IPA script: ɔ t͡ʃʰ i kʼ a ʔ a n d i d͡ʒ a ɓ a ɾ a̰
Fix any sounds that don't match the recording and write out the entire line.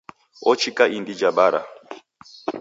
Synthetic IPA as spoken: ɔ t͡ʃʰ i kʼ a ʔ i n d i d͡ʒ a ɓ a ɾ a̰